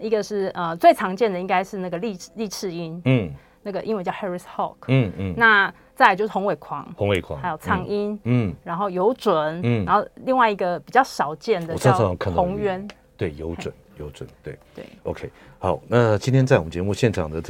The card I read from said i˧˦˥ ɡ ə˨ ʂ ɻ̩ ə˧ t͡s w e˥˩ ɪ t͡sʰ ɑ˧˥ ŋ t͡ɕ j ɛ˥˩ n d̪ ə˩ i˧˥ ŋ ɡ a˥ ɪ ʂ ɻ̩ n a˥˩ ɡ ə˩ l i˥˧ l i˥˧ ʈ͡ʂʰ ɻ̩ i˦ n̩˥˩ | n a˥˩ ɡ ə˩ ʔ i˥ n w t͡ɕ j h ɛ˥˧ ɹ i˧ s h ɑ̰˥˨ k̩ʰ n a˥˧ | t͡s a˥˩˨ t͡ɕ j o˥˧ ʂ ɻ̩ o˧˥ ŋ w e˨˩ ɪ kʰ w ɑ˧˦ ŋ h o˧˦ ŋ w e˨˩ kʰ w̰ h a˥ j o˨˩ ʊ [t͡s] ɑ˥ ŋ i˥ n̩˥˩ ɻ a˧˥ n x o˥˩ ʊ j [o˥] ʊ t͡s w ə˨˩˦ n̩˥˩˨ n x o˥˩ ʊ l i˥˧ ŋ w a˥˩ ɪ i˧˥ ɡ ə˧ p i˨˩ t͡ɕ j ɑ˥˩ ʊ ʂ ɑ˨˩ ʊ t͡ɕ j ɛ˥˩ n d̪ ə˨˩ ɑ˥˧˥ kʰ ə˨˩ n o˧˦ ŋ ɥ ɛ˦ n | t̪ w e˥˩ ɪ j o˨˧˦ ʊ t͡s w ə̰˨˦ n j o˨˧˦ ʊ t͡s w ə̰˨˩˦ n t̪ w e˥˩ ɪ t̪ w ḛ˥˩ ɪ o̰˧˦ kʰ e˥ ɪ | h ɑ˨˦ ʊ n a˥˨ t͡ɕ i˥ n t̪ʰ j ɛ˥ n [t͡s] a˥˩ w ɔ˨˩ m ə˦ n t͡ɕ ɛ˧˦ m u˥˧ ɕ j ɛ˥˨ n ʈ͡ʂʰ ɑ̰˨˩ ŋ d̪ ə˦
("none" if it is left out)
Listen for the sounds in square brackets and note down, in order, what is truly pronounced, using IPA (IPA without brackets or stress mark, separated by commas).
t͡sʰ, o˧˦, t͡s